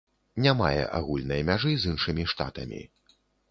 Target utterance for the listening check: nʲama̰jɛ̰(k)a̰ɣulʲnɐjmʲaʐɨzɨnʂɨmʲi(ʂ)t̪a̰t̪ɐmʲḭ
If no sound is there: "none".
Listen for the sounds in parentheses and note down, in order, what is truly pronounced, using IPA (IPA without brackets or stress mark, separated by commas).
ʔ, ʂ